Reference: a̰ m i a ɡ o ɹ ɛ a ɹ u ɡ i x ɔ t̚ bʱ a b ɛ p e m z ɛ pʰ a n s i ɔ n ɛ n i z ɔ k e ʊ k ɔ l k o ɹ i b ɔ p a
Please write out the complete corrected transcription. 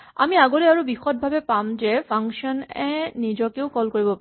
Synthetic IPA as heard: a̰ m i a ɡ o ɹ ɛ a ɹ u b i x ɔ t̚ bʱ a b ɛ p a m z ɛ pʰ a ŋ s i ɔ n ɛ n i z ɔ k e ʊ k ɔ l k o ɹ i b ɔ p a